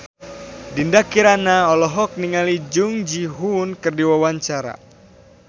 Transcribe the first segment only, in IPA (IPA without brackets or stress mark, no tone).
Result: d